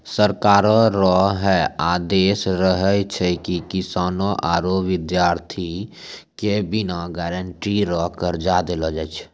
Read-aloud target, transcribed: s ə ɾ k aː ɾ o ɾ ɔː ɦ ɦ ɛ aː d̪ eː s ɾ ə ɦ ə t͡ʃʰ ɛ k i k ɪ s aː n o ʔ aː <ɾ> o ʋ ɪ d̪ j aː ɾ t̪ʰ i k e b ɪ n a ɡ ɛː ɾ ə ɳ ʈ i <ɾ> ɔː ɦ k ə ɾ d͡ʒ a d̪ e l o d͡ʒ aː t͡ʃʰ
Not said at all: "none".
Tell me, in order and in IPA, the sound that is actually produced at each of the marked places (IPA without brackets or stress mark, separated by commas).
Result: ɾ, ɾ